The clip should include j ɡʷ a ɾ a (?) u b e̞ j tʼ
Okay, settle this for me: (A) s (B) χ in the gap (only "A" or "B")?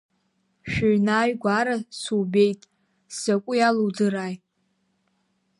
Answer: A